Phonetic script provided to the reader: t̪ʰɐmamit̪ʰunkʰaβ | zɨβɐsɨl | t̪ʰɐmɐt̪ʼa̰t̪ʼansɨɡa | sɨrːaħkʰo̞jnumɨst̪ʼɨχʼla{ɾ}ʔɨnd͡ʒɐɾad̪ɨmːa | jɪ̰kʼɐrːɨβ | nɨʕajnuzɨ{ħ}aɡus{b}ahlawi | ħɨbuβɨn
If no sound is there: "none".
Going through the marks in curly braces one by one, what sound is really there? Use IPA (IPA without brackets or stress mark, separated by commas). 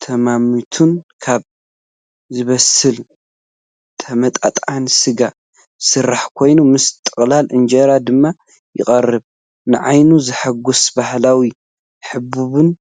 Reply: l, ħ, b